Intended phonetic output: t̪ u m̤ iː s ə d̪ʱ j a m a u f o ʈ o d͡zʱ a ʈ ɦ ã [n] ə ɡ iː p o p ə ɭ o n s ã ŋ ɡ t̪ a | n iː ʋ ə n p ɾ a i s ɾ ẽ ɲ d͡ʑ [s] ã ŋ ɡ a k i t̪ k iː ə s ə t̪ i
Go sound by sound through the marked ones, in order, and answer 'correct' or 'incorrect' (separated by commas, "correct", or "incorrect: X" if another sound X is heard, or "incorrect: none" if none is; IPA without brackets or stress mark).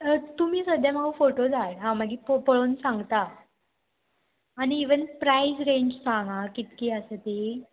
incorrect: m, correct